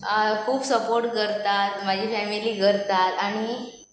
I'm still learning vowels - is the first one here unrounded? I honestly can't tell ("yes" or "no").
no